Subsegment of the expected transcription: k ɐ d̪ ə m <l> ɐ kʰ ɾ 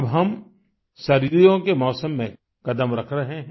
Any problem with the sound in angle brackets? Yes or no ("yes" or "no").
yes